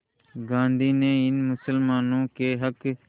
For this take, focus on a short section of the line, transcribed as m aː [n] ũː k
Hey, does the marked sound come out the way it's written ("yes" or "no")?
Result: yes